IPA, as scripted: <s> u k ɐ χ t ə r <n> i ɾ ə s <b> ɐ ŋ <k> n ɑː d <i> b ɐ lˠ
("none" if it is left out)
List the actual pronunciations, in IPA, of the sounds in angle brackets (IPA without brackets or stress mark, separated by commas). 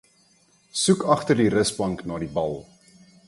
s, d, b, k, i